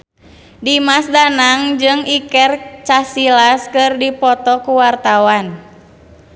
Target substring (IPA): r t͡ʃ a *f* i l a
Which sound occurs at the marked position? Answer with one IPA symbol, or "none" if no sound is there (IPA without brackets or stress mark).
s